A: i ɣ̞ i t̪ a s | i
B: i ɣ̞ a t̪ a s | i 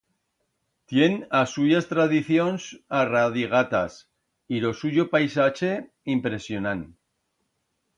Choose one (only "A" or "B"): B